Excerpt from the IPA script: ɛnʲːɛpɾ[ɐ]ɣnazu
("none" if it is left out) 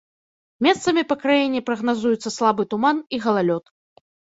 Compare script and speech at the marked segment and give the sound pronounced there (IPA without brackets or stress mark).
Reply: ɐ